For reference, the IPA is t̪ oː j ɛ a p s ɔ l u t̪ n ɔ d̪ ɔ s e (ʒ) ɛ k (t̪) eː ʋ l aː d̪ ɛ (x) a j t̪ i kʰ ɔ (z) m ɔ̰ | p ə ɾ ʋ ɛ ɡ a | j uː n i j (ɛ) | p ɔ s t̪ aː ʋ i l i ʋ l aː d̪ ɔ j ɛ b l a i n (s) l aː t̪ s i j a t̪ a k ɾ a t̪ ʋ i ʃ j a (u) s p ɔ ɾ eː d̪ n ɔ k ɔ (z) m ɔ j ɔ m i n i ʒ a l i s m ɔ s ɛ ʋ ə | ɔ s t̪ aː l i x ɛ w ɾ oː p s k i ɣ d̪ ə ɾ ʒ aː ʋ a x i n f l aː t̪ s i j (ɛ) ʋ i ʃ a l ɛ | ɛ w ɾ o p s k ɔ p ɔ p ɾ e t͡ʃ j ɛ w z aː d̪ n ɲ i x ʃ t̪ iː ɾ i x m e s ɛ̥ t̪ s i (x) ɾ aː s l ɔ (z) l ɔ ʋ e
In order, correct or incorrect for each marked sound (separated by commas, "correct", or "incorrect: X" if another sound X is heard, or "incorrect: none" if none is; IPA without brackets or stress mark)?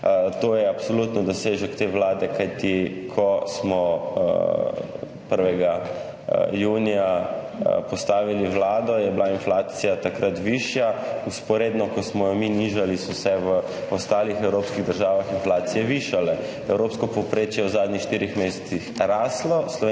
correct, correct, incorrect: k, incorrect: s, incorrect: a, incorrect: f, correct, incorrect: s, correct, correct, incorrect: s